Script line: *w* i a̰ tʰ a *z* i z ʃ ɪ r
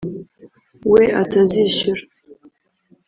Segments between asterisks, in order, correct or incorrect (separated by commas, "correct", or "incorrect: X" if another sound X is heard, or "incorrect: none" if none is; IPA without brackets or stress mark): correct, correct